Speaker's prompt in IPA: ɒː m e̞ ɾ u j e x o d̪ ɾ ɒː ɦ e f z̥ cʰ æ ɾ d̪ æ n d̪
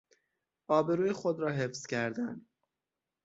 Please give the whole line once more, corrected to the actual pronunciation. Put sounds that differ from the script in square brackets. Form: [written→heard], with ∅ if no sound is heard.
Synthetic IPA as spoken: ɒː [m→b] e̞ ɾ [u→uː] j e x o d̪ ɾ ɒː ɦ e f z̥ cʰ æ ɾ d̪ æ n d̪